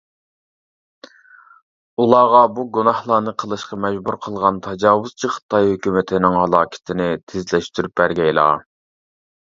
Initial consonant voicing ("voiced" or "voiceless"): voiced